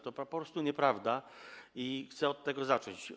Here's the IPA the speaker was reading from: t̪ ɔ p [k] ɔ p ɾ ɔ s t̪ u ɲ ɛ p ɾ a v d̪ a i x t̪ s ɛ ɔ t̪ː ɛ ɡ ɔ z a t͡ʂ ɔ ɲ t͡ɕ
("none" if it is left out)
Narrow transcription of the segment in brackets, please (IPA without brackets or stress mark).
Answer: p